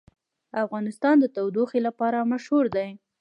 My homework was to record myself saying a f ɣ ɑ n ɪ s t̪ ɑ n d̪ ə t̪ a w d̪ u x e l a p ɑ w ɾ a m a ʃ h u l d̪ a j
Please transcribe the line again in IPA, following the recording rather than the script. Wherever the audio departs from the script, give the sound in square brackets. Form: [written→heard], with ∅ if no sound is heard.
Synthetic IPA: a f ɣ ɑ n ɪ s t̪ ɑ n d̪ ə t̪ a w d̪ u x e l a p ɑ [w→∅] ɾ a m a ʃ h u [l→ɾ] d̪ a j